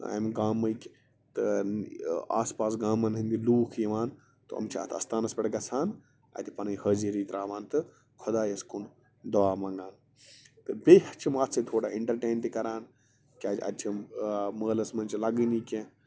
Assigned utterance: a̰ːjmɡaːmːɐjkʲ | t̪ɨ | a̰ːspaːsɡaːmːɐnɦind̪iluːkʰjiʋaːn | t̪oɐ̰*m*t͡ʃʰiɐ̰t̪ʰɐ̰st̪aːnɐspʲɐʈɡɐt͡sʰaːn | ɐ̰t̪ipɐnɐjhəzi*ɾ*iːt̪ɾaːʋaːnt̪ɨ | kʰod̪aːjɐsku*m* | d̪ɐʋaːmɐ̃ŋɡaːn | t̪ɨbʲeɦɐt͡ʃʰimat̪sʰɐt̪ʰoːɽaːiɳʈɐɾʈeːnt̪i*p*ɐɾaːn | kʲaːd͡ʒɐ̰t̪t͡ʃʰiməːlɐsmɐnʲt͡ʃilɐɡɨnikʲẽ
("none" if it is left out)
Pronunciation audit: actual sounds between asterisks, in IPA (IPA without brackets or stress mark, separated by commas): m, ɾ, n, k